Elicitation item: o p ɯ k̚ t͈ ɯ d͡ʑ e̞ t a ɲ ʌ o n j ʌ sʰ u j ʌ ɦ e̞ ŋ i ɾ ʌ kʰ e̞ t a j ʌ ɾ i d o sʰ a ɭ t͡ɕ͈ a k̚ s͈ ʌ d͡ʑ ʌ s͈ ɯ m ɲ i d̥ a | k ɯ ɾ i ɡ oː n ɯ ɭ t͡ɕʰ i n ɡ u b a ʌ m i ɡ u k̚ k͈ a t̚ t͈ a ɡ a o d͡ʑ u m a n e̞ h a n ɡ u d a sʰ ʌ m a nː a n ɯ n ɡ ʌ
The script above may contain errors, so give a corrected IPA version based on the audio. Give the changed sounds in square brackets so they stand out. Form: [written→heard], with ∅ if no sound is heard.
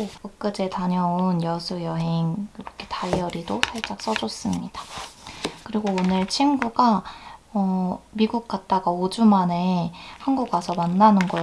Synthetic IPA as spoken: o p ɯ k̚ [t͈→k͈] ɯ d͡ʑ e̞ t a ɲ ʌ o n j ʌ sʰ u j ʌ ɦ e̞ ŋ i ɾ ʌ kʰ e̞ t a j ʌ ɾ i d o sʰ a ɭ t͡ɕ͈ a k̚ s͈ ʌ d͡ʑ ʌ s͈ ɯ m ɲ i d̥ a | k ɯ ɾ i ɡ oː n ɯ ɭ t͡ɕʰ i n ɡ u [b→ɡ] a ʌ m i ɡ u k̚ k͈ a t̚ t͈ a ɡ a o d͡ʑ u m a n e̞ h a n ɡ u [d→ɡ] a sʰ ʌ m a nː a n ɯ n ɡ ʌ